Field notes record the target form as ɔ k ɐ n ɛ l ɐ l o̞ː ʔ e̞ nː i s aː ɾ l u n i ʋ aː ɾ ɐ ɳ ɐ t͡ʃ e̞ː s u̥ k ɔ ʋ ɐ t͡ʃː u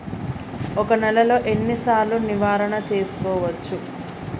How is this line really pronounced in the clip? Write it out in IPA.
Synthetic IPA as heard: ɔ k ɐ n ɛ l ɐ l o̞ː ʔ e̞ nː i s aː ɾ l u n i ʋ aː ɾ ɐ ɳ ɐ t͡ʃ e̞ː s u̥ k ɔː ʋ ɐ t͡ʃː u